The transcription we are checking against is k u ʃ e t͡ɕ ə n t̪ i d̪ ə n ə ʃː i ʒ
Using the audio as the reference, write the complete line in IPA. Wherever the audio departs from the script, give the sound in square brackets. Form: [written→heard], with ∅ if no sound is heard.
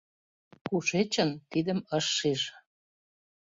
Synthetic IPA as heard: k u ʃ e t͡ɕ ə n t̪ i d̪ ə [n→m] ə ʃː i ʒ

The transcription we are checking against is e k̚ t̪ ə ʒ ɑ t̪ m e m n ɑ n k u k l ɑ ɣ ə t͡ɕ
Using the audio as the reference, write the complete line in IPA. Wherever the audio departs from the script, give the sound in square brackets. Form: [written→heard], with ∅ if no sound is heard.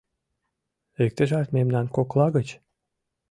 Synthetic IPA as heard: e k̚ t̪ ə ʒ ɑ t̪ m e m n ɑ n k [u→o] k l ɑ ɣ ə t͡ɕ

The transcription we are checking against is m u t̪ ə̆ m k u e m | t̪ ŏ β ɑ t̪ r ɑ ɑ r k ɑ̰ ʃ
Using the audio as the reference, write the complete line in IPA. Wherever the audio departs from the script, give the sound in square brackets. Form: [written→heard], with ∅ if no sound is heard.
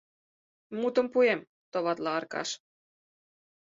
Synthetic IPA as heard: m u t̪ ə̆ m [k→p] u e m | t̪ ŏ β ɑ t̪ [r→l] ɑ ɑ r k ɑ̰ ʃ

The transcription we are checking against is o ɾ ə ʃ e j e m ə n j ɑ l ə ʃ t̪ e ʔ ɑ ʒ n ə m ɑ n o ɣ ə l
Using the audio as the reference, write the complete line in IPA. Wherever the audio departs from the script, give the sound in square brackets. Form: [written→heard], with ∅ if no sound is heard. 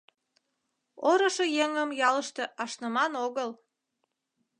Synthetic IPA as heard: o ɾ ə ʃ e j e [m→ŋ] ə [n→m] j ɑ l ə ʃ t̪ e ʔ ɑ [ʒ→ʃ] n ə m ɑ n o ɣ ə l

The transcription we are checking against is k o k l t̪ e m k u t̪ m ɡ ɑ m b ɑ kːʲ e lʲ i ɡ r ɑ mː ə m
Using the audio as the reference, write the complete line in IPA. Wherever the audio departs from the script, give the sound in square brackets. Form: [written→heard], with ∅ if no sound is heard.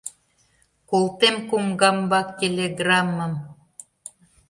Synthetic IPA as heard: k o [k→∅] l t̪ e m k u [t̪→∅] m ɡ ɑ m b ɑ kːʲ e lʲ [i→e] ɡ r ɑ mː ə m

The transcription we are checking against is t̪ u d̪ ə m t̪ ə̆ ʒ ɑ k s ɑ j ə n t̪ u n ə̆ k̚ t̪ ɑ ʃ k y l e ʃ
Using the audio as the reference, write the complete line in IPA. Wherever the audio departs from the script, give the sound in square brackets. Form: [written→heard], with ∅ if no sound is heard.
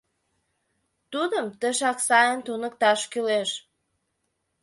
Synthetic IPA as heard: t̪ u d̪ ə m t̪ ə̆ [ʒ→ʃ] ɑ k s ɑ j ə n t̪ u n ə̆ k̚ t̪ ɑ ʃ k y l e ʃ

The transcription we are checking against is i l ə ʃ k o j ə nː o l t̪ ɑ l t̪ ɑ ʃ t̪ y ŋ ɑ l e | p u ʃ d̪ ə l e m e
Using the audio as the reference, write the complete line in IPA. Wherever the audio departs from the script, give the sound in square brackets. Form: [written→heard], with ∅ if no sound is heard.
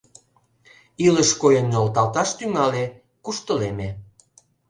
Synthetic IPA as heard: i l ə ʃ k o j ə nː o l t̪ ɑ l t̪ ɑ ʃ t̪ y ŋ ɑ l e | [p→k] u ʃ [d̪→t̪] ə l e m e

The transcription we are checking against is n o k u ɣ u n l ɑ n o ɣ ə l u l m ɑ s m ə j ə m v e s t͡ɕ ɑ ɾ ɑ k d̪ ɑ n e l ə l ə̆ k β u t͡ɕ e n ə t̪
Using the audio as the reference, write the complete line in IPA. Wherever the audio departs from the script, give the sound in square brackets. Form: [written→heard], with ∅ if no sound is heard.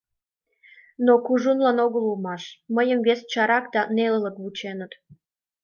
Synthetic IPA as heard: n o k u [ɣ→ʒ] u n l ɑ n o ɣ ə l u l m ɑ [s→ʃ] m ə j ə m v e s t͡ɕ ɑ ɾ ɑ k d̪ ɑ n e l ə l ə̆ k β u t͡ɕ e n ə t̪

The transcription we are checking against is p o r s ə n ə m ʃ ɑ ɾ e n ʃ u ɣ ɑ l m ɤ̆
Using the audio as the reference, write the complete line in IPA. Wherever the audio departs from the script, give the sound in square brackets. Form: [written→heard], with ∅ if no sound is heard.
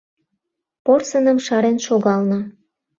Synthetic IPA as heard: p o r s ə n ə m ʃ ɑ ɾ e n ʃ [u→o] ɣ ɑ l [m→n] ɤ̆

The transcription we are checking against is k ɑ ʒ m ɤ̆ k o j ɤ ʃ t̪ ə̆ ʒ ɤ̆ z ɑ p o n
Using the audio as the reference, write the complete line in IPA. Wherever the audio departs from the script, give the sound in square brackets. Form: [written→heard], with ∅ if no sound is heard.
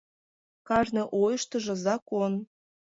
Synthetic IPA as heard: k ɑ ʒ [m→n] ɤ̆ [k→ʔ] o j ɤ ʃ t̪ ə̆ ʒ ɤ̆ z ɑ [p→k] o n

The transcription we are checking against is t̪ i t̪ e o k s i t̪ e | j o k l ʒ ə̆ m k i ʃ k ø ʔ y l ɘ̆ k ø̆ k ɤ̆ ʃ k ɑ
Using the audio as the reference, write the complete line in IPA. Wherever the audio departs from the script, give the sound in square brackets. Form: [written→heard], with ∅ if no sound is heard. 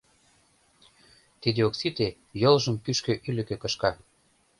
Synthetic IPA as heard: t̪ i [t̪→d̪] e o k s i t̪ e | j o [k→∅] l ʒ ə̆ m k [i→y] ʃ k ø ʔ y l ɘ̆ k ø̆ k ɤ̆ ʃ k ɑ

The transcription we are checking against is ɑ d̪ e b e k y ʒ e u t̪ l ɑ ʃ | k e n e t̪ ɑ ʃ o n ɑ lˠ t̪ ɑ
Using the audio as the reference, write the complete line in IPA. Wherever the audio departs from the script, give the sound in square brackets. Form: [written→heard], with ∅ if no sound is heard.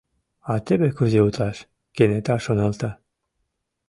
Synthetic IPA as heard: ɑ [d̪→t̪] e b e k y [ʒ→z] e u t̪ l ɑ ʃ | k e n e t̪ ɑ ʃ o n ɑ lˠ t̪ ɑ

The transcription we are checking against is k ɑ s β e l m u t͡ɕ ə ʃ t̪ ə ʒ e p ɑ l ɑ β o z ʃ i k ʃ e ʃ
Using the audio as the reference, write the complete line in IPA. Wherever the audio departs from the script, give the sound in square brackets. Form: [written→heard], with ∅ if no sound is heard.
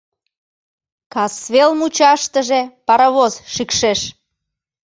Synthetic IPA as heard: k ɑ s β e l m u t͡ɕ [ə→ɑ] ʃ t̪ ə ʒ e p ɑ [l→ɾ] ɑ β o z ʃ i k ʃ e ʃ

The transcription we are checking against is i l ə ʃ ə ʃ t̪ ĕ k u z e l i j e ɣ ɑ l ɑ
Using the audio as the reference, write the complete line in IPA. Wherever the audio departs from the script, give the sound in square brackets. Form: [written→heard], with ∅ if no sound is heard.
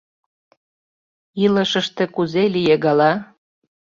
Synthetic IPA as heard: i l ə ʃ ə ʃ t̪ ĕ k u z e l i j e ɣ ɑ l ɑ

